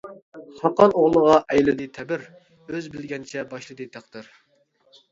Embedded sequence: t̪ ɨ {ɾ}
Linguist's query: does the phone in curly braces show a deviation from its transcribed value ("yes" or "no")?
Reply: no